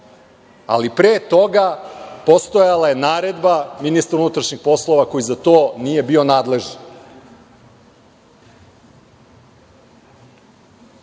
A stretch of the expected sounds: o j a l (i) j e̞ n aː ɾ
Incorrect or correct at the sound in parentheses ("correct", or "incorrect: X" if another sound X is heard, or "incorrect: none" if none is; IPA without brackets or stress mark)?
incorrect: a